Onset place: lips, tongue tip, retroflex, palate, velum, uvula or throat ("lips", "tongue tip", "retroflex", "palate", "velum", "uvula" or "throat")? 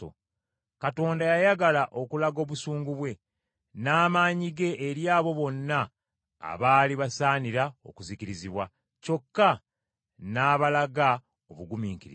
velum